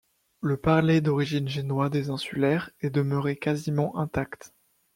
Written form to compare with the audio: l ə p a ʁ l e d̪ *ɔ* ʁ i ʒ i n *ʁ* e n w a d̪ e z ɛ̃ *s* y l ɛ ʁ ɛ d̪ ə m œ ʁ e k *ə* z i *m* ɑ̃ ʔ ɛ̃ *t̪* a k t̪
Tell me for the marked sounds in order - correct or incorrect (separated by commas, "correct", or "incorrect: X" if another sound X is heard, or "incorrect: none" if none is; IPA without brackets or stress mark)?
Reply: correct, incorrect: ʒ, correct, incorrect: a, correct, correct